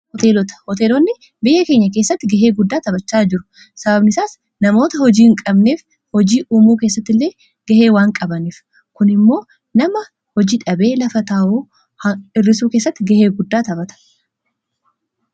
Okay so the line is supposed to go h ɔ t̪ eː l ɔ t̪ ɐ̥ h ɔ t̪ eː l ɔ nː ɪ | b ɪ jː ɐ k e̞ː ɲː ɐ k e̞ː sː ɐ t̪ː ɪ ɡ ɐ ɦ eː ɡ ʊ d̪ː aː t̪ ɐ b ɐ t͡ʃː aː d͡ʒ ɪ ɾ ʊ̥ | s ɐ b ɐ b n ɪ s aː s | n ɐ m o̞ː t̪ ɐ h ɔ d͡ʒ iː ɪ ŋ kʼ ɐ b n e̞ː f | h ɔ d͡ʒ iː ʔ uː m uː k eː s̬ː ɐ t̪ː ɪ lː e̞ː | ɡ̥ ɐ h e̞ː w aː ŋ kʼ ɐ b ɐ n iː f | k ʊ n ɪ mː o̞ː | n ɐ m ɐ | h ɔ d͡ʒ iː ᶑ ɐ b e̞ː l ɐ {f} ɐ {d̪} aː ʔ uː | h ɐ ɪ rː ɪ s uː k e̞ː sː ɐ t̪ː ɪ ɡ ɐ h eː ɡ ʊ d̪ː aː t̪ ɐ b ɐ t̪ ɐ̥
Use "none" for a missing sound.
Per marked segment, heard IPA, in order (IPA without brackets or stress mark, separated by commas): f, t̪